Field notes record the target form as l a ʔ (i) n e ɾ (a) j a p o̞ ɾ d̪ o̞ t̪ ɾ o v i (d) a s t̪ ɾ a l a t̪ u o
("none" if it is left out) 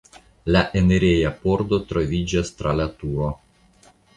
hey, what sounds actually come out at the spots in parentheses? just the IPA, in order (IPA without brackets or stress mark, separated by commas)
e, e, d͡ʒ